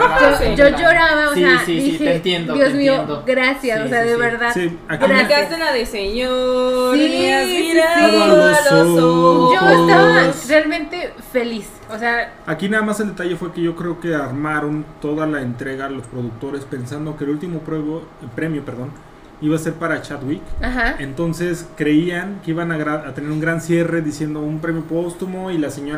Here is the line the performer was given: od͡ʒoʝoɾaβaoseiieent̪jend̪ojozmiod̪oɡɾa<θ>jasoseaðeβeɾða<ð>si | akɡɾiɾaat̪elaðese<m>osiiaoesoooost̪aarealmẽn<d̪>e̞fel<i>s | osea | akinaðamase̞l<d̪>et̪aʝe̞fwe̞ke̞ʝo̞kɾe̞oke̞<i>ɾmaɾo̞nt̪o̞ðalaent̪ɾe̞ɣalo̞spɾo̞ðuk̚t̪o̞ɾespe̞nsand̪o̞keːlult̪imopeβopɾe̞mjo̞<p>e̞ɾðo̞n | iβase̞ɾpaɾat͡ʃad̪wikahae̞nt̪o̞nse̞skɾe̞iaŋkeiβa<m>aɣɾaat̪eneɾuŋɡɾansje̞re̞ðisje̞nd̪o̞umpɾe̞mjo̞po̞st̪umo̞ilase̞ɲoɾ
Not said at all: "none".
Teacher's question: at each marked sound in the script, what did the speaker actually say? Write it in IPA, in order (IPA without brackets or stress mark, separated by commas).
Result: s, ð, ɲ, t̪, i, d̪, a, p, n